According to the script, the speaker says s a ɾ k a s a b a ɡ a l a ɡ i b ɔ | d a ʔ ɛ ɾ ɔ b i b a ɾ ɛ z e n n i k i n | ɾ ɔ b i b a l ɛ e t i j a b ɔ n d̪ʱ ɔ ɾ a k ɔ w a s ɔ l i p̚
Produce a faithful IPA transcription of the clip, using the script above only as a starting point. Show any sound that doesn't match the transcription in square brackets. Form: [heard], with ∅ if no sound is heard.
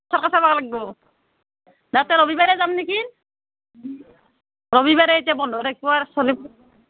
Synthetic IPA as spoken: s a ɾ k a s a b a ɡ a l a ɡ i b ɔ | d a [t] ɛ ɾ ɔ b i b a ɾ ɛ z [a] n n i k i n | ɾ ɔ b i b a [ɾ] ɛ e t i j a b ɔ n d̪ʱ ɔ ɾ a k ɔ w a s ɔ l i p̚